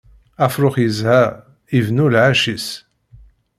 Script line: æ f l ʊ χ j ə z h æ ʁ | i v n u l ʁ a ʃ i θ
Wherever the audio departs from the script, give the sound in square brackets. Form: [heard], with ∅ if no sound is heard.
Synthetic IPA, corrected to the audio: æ f [ɾ] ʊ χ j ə z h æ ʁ | i v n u l [ʕ] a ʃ i [s]